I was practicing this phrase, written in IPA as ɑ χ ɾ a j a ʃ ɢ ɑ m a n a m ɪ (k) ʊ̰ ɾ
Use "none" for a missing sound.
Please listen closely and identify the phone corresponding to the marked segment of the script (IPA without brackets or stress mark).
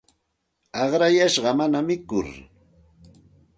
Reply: k